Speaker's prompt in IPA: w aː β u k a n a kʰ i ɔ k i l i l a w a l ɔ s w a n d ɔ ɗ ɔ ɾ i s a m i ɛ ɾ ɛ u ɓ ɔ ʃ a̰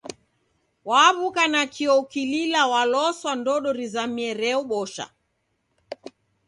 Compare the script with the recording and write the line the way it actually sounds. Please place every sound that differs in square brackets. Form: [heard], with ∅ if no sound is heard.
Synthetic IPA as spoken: w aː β u k a n a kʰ i ɔ k i l i l a w a l ɔ s w a n d ɔ ɗ ɔ ɾ i [z] a m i ɛ ɾ ɛ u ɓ ɔ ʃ a̰